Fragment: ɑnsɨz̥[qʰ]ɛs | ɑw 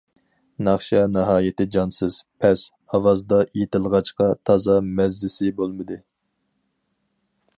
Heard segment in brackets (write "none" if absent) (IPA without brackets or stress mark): pʰ